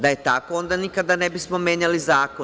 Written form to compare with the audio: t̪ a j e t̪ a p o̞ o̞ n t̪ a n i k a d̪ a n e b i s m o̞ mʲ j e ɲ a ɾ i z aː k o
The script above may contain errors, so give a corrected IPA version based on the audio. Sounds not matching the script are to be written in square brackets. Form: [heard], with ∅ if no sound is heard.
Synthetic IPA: [d̪] a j e t̪ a [k] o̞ o̞ n [d̪] a n i k a d̪ a n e b i s m o̞ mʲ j e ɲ a [l] i z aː k o

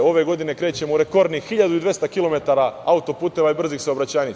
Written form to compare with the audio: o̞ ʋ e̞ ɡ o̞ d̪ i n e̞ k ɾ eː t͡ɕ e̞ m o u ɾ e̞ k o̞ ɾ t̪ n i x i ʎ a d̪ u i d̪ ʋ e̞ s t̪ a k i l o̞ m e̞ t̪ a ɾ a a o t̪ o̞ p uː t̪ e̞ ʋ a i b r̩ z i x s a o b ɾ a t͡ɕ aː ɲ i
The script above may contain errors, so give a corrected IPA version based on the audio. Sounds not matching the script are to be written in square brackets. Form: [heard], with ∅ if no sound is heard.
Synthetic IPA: o̞ ʋ e̞ ɡ o̞ d̪ i n e̞ k ɾ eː t͡ɕ e̞ m o u ɾ e̞ k o̞ ɾ [d̪] n i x i ʎ a d̪ u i d̪ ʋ e̞ s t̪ a k i l o̞ m e̞ t̪ a ɾ a a [u] t̪ o̞ p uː t̪ e̞ ʋ a i b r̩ z i x s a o b ɾ a t͡ɕ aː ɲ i

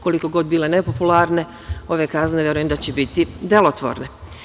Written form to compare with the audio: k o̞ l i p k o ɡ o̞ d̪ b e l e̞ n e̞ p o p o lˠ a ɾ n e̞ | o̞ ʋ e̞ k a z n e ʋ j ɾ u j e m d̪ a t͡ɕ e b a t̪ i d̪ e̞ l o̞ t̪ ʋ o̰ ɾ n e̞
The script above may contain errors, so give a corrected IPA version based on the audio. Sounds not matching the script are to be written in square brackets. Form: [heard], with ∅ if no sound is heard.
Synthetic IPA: k o̞ l i [∅] k o ɡ o̞ d̪ b [i] l e̞ n e̞ p o p [u] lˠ a ɾ n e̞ | o̞ ʋ e̞ k a z n e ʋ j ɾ u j e m d̪ a t͡ɕ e b [i] t̪ i d̪ e̞ l o̞ t̪ ʋ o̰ ɾ n e̞

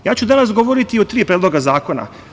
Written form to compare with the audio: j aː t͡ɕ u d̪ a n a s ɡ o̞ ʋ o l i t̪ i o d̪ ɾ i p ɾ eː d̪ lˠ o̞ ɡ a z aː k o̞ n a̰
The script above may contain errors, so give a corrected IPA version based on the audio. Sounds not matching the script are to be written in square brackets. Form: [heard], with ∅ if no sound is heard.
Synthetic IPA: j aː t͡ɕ u d̪ a n a s ɡ o̞ ʋ o [ɾ] i t̪ i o [t̪] ɾ [iː] p ɾ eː d̪ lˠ o̞ ɡ a z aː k o̞ n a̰

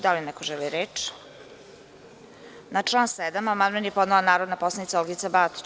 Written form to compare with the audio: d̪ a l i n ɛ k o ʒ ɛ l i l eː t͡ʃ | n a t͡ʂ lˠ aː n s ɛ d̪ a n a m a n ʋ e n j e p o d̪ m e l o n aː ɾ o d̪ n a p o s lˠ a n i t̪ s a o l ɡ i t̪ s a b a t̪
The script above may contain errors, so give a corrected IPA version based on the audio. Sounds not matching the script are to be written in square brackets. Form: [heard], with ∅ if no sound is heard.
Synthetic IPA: d̪ a l i n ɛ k o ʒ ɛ l i [ɾ] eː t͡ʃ | n a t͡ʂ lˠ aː n s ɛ d̪ a [m] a m a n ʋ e n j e p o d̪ [n] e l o n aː ɾ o d̪ n a p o s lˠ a n i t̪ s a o l ɡ i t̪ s a b a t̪

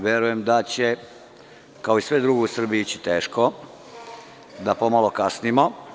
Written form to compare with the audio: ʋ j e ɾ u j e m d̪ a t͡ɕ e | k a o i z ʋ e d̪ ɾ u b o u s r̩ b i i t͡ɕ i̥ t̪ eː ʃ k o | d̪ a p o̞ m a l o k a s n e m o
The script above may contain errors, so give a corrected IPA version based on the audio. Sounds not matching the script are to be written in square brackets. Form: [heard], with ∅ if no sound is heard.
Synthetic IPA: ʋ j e ɾ u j e m d̪ a t͡ɕ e | k a o i [s] ʋ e d̪ ɾ u [ɡ] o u s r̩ b i i t͡ɕ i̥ t̪ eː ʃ k o | d̪ a p o̞ m a l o k a s n [i] m o

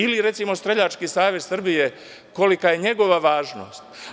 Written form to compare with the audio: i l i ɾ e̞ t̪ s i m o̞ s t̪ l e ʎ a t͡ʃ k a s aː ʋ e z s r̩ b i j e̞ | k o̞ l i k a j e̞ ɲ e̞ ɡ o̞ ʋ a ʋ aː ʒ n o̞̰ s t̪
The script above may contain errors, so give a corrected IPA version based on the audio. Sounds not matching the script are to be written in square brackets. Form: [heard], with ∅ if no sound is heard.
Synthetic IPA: i l i ɾ e̞ t̪ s i m o̞ s t̪ [ɾ] e ʎ a t͡ʃ k [i] s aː ʋ e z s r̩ b i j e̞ | k o̞ l i k a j e̞ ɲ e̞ ɡ o̞ ʋ a ʋ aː ʒ n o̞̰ s t̪

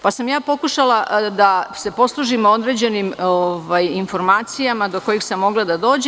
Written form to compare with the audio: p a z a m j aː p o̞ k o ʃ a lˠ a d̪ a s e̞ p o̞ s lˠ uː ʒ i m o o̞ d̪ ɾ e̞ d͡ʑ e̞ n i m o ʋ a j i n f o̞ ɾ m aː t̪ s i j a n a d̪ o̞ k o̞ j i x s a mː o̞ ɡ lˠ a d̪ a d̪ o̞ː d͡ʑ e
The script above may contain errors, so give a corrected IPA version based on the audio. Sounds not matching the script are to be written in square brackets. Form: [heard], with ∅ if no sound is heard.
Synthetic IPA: p a [s] a m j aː p o̞ k [u] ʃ a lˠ a d̪ a s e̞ p o̞ s lˠ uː ʒ i m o o̞ d̪ ɾ e̞ d͡ʑ e̞ n i m o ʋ a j i n f o̞ ɾ m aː t̪ s i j a [m] a d̪ o̞ k o̞ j i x s a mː o̞ ɡ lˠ a d̪ a d̪ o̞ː d͡ʑ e

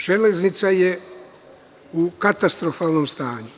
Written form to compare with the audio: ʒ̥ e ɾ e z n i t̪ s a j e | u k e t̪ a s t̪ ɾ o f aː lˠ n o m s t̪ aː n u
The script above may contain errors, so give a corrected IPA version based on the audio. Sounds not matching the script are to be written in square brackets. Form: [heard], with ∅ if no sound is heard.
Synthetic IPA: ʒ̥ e [l] e z n i t̪ s a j e | u k [a] t̪ a s t̪ ɾ o f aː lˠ n o m s t̪ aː [ɲ] u

